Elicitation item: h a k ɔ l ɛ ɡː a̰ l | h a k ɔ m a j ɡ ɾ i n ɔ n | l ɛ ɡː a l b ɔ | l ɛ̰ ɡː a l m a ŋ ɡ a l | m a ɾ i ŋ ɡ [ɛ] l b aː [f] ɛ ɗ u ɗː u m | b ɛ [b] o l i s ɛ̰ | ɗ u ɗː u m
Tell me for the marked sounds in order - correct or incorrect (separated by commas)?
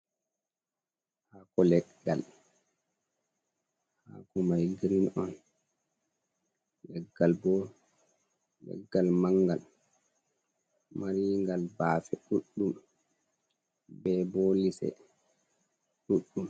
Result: incorrect, correct, correct